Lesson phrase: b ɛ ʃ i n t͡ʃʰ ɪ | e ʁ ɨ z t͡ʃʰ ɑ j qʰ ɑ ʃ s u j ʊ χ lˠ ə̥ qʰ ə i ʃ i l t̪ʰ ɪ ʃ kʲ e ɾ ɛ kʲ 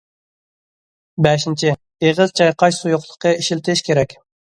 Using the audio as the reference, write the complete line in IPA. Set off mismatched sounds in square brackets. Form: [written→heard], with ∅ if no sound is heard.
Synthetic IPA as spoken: b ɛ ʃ i n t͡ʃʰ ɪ | e ʁ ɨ z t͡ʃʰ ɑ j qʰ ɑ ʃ s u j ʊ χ lˠ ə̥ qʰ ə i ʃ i l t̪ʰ ɪ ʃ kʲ e ɾ ɛ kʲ

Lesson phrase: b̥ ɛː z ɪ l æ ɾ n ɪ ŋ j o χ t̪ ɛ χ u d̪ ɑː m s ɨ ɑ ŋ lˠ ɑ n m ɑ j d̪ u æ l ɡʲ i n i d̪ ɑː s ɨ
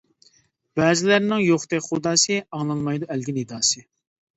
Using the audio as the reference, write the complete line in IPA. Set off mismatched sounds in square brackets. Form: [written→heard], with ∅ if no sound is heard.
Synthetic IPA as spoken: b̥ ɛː z ɪ l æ ɾ n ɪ ŋ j o χ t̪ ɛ χ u d̪ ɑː [m→∅] s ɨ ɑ ŋ lˠ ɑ n m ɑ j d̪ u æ l ɡʲ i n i d̪ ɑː s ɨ

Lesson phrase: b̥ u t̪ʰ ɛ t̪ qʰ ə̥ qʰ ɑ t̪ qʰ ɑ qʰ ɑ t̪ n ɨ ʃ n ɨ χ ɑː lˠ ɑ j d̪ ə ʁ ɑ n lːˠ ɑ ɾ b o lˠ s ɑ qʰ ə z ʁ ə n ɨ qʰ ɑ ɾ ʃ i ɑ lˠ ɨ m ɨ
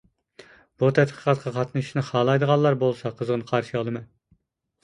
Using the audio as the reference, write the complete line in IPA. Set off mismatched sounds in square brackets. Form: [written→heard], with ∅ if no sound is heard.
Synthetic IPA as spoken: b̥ u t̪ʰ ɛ t̪ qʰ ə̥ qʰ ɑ t̪ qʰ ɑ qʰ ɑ t̪ n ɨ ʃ n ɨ χ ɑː lˠ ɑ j d̪ ə ʁ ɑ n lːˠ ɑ ɾ b o lˠ s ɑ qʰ ə z ʁ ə n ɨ qʰ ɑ ɾ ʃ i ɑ lˠ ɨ m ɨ

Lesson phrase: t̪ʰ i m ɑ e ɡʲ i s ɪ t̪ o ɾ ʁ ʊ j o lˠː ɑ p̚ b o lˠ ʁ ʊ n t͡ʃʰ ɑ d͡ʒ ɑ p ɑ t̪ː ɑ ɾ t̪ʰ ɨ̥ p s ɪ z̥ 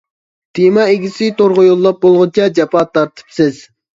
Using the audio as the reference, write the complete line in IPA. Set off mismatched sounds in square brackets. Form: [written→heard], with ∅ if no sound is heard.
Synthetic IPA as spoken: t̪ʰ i m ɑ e ɡʲ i s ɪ t̪ o ɾ ʁ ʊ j o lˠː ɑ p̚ b o lˠ ʁ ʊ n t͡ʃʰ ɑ d͡ʒ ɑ p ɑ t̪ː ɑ ɾ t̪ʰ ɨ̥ p s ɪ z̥

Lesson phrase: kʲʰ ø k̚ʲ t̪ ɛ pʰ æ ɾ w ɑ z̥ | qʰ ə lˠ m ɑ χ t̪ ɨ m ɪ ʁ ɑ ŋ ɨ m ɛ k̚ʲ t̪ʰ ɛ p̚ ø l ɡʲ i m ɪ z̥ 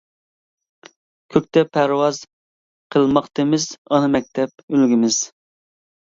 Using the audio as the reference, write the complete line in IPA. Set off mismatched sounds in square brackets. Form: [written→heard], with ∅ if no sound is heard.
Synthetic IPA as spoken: kʲʰ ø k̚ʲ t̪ ɛ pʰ æ ɾ w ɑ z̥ | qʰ ə lˠ m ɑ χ t̪ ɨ m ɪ [ʁ→z] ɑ [ŋ→n] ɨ m ɛ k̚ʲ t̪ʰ ɛ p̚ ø l ɡʲ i m ɪ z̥

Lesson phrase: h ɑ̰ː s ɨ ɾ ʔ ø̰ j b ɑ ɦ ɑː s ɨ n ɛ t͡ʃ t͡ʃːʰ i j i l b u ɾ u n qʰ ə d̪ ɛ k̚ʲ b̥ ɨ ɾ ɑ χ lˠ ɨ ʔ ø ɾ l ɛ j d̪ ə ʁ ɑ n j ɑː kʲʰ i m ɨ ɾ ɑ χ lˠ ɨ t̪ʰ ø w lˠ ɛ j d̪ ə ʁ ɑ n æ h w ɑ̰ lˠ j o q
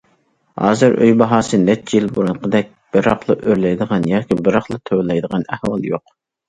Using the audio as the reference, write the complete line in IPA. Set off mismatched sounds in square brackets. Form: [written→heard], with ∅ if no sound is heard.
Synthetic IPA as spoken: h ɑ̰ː [s→z] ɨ ɾ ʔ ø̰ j b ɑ ɦ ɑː s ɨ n ɛ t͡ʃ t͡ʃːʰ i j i l b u ɾ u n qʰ ə d̪ ɛ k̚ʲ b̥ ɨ ɾ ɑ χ lˠ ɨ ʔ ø ɾ l ɛ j d̪ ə ʁ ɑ n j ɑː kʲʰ i [m→b] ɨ ɾ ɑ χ lˠ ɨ t̪ʰ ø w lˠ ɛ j d̪ ə ʁ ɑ n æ h w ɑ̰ lˠ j o q

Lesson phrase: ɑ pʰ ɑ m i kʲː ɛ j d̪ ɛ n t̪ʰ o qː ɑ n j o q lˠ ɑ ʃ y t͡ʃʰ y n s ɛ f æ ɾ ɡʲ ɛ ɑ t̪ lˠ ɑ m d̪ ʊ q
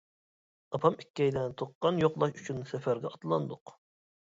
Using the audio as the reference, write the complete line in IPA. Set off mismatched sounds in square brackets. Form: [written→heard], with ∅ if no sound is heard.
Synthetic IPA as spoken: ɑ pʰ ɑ m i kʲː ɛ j d̪ ɛ n t̪ʰ o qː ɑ n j o q lˠ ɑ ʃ y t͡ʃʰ y n s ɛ f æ ɾ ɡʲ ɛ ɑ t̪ lˠ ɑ [m→n] d̪ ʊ q

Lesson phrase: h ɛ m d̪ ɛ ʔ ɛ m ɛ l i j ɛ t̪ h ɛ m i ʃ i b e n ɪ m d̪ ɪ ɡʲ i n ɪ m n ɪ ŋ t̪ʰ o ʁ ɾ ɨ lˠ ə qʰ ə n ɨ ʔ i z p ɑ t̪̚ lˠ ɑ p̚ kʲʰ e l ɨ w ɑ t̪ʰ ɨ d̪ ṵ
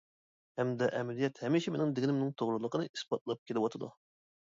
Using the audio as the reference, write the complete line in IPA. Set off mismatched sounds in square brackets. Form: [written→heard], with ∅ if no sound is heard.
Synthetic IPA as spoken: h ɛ m d̪ ɛ ʔ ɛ m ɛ l i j ɛ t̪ h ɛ m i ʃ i [b→m] e n ɪ [m→ŋ] d̪ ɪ ɡʲ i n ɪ m n ɪ ŋ t̪ʰ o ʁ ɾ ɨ lˠ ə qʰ ə n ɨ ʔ i [z→s] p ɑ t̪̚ lˠ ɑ p̚ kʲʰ e l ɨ w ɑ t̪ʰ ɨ d̪ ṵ

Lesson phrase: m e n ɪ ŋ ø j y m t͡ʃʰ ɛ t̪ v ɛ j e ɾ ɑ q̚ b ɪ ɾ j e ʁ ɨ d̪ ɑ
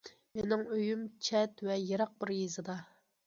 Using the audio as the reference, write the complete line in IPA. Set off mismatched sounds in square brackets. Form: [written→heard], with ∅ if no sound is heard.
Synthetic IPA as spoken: m e n ɪ ŋ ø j y m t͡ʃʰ ɛ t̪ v ɛ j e ɾ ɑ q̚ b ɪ ɾ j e [ʁ→z] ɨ d̪ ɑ

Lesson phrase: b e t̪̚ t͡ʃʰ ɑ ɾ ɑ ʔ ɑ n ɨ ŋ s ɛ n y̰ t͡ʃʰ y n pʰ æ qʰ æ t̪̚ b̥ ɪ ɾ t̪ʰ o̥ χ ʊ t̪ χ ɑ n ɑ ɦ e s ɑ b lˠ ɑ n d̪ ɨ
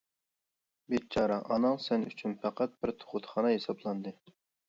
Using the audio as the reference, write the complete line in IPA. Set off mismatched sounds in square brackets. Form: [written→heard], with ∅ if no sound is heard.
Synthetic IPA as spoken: b e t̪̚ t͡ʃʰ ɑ ɾ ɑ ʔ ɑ n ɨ ŋ s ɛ n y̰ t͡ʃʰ y n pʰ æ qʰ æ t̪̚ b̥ ɪ ɾ t̪ʰ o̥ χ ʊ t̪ χ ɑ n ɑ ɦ e s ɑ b lˠ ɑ n d̪ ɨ

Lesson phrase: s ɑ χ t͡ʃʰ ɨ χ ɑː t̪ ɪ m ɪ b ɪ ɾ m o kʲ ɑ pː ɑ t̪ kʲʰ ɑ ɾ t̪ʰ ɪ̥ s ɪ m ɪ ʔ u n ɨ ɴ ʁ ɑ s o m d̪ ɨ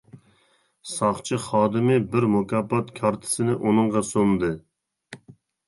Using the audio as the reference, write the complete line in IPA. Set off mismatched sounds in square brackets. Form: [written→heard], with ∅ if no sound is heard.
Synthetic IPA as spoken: s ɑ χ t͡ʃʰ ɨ χ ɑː [t̪→d̪] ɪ m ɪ b ɪ ɾ m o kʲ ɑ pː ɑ t̪ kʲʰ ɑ ɾ t̪ʰ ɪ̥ s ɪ [m→n] ɪ ʔ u n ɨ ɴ ʁ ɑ s o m d̪ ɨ

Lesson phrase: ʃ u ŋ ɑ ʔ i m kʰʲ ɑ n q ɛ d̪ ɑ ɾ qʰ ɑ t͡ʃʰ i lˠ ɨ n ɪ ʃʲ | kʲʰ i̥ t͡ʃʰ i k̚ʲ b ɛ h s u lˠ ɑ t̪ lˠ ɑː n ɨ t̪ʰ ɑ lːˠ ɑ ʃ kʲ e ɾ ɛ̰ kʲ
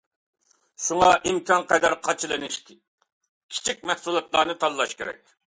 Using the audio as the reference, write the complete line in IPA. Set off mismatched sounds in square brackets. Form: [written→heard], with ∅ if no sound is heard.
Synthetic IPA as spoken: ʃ u ŋ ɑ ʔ i m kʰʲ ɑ n q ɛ d̪ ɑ ɾ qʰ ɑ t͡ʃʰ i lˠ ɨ n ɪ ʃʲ | kʲʰ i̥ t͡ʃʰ i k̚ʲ [b→m] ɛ h s u lˠ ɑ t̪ lˠ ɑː n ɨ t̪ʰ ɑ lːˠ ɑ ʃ kʲ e ɾ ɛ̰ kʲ

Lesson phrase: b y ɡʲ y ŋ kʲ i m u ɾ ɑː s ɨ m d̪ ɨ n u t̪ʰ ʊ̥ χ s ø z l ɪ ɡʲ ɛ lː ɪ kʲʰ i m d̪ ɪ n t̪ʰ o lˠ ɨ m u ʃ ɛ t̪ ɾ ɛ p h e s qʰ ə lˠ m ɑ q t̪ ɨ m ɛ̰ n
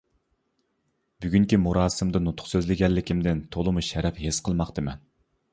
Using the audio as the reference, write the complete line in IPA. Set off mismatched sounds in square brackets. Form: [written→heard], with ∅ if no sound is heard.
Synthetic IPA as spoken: b y ɡʲ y ŋ kʲ i m u ɾ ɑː s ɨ m d̪ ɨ n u t̪ʰ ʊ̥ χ s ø z l ɪ ɡʲ ɛ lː ɪ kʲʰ i m d̪ ɪ n t̪ʰ o lˠ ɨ m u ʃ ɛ [t̪→∅] ɾ ɛ p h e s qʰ ə lˠ m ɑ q t̪ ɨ m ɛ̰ n

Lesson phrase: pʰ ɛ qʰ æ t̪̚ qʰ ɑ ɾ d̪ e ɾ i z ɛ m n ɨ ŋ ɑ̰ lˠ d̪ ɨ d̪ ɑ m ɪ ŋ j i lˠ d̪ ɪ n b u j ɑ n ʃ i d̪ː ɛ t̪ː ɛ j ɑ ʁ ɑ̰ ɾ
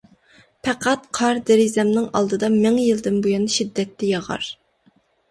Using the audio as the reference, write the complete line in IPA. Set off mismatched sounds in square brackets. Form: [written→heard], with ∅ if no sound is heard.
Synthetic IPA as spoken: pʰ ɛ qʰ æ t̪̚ qʰ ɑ ɾ d̪ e ɾ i z ɛ m n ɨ ŋ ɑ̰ lˠ d̪ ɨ d̪ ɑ m ɪ ŋ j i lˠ d̪ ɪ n b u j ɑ n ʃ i d̪ː ɛ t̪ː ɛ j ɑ ʁ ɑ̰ ɾ

